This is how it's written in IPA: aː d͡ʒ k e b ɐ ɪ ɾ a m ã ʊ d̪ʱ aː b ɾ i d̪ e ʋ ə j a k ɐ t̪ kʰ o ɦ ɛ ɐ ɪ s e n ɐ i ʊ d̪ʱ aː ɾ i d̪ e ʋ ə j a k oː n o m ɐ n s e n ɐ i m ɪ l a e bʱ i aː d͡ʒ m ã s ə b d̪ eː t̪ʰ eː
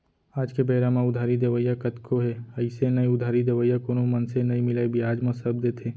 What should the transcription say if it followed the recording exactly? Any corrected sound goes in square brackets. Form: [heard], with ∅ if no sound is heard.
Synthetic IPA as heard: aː d͡ʒ k e b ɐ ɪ ɾ a m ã ʊ d̪ʱ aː [∅] ɾ i d̪ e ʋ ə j a k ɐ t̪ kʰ o ɦ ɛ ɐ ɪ s e n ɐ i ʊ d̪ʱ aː ɾ i d̪ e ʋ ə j a k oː n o m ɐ n s e n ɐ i m ɪ l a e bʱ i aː d͡ʒ m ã s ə b d̪ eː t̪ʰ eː

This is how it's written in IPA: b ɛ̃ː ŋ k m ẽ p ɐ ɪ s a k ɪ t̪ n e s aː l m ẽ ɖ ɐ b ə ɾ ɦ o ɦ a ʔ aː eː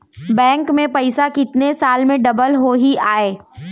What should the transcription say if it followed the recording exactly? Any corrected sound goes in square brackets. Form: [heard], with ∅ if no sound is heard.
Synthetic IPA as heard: b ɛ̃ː ŋ k m ẽ p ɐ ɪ s a k ɪ t̪ n e s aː l m ẽ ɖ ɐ b ə [l] ɦ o ɦ [i] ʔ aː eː

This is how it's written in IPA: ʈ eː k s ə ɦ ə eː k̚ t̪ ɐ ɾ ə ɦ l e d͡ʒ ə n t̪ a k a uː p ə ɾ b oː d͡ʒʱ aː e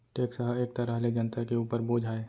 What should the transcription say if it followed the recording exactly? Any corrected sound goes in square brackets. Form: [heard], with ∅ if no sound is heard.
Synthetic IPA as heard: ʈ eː k s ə ɦ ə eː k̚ t̪ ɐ ɾ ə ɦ l e d͡ʒ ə n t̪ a k [e] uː p ə ɾ b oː d͡ʒʱ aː e

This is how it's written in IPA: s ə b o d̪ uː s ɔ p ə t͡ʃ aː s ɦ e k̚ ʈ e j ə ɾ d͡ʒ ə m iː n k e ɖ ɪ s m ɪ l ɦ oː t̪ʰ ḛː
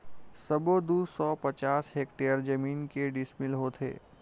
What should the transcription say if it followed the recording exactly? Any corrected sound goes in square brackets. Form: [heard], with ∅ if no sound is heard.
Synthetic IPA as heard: s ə b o d̪ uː s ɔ p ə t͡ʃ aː s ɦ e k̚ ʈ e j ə ɾ d͡ʒ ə m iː n k e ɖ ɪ s m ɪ l ɦ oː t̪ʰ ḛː

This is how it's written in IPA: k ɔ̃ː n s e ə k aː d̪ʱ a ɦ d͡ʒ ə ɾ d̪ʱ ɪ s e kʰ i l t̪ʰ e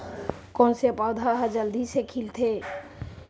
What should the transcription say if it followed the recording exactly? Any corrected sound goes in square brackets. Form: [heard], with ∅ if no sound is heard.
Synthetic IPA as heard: k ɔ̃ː n s e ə [p] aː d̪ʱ a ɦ d͡ʒ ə [l] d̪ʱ [i] s e kʰ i l t̪ʰ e

